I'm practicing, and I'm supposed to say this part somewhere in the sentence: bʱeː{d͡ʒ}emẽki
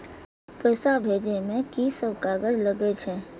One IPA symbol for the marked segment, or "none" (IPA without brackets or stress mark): d͡ʒ